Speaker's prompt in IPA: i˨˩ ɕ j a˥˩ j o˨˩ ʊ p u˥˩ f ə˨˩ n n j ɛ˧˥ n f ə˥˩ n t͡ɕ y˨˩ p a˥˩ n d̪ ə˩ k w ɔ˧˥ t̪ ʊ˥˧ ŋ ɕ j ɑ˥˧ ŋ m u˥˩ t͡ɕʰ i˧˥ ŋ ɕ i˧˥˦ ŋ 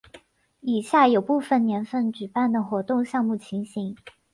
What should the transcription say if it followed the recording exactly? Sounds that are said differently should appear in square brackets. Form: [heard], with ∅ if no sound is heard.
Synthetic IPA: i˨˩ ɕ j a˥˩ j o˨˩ ʊ p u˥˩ f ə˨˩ n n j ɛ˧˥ n f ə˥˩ n t͡ɕ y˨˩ p a˥˩ n d̪ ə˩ [x] w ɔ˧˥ t̪ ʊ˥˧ ŋ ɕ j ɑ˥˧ ŋ m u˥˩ t͡ɕʰ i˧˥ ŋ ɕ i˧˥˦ ŋ